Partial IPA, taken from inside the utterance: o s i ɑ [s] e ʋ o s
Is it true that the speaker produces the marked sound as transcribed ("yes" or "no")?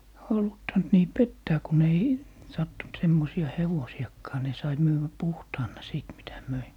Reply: no